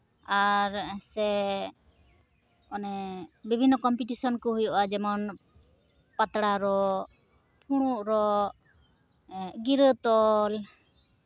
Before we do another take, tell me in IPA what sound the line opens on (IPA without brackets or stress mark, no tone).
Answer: a